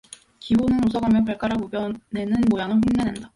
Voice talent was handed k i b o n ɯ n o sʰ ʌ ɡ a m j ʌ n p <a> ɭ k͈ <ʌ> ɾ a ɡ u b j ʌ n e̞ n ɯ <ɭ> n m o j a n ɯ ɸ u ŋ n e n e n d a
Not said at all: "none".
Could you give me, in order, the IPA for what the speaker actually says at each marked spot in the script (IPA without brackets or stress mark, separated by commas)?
a, a, none